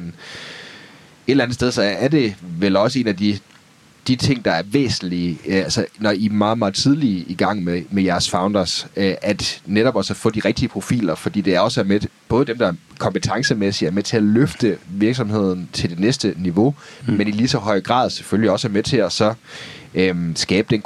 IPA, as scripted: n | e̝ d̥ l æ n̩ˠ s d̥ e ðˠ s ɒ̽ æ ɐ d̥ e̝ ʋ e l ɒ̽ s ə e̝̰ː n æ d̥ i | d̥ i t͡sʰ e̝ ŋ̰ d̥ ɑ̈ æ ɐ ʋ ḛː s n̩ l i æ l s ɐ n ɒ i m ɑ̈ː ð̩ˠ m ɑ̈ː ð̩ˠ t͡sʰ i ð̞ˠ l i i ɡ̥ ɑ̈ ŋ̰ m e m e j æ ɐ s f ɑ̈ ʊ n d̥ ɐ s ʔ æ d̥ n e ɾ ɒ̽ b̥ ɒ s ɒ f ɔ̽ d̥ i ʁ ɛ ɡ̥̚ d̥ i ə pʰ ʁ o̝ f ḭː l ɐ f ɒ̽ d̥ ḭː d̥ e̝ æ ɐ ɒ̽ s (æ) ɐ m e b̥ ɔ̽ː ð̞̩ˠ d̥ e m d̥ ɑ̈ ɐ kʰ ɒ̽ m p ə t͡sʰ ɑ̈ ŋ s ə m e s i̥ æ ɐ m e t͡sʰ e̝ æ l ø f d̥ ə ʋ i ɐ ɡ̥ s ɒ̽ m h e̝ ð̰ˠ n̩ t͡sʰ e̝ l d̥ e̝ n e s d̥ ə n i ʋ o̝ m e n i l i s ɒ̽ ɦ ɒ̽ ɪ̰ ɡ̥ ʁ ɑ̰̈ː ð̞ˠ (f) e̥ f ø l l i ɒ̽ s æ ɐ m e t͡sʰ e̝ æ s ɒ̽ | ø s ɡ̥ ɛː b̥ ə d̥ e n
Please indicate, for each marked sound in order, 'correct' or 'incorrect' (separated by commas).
correct, incorrect